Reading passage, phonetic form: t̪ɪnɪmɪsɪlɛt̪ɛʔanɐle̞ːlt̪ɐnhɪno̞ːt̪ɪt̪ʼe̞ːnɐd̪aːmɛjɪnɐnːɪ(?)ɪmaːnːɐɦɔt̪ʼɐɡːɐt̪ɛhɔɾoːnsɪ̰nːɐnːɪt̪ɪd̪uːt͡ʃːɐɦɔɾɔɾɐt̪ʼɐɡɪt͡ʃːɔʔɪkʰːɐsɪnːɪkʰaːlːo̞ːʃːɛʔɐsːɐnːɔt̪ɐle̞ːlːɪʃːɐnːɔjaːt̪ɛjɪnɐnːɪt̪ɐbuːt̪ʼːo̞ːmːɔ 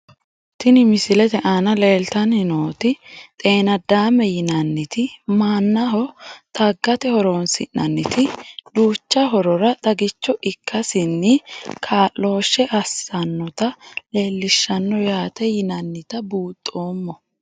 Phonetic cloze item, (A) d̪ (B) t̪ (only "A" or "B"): B